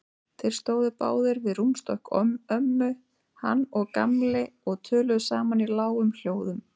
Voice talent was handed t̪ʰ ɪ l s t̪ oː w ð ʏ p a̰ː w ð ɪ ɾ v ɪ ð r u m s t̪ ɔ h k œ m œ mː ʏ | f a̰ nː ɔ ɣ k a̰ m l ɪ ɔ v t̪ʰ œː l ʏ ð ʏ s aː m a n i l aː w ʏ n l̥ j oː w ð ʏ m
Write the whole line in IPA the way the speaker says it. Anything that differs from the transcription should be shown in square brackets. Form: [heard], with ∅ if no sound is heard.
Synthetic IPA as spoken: t̪ʰ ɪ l s t̪ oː w ð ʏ p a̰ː w ð ɪ ɾ v ɪ ð r u m s t̪ ɔ h k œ m œ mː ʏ | [h] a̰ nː ɔ ɣ k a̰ m l ɪ ɔ [ɣ] t̪ʰ œː l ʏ ð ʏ s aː m a n i l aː w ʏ [m] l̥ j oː w ð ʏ m